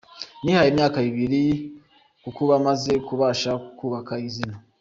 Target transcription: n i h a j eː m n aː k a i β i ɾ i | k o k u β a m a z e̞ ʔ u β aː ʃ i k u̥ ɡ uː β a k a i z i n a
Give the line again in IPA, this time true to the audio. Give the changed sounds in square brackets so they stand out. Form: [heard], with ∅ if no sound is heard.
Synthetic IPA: n i h a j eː m [ɲ] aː k a i β i ɾ i | k [u] k u β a m a z e̞ [k] u β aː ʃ [a] k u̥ [k] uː β a k a i z i n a